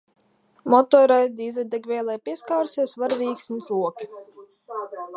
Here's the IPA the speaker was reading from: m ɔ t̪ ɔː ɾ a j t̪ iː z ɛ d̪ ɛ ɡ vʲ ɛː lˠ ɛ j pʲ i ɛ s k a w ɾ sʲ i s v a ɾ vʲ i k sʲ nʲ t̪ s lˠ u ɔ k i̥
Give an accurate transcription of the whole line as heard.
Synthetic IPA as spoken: m ɔ t̪ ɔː ɾ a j d̪ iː z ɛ d̪ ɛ ɡ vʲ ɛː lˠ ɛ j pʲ i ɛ s k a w ɾ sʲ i s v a ɾ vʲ iː k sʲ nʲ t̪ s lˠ u ɔ k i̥